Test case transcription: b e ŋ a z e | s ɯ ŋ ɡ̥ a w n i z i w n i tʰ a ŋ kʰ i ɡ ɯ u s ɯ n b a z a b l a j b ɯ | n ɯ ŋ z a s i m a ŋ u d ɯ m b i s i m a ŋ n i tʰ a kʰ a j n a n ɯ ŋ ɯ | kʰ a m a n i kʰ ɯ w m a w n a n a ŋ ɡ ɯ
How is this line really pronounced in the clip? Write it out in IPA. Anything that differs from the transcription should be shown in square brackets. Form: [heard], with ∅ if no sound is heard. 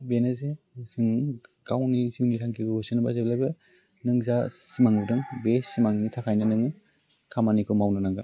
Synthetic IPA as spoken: b e [n] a z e | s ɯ ŋ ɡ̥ a w n i z i w n i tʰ a ŋ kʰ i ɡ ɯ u s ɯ n b a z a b l a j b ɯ | n ɯ ŋ z a s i m a ŋ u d ɯ [ŋ] b [e] s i m a ŋ n i tʰ a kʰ a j n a n ɯ ŋ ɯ | kʰ a m a n i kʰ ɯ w m a w n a n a ŋ ɡ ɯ